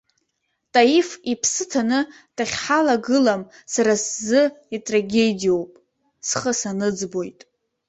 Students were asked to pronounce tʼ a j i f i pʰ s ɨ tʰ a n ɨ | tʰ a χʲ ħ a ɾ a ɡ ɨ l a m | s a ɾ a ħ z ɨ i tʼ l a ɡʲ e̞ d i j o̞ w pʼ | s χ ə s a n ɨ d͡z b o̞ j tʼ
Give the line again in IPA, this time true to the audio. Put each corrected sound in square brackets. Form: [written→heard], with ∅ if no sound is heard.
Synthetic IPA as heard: tʼ a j i f i pʰ s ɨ tʰ a n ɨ | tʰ a χʲ ħ a [ɾ→l] a ɡ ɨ l a m | s a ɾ a [ħ→s] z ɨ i tʼ [l→r] a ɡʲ e̞ d i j o̞ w pʼ | s χ ə s a n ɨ d͡z b o̞ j tʼ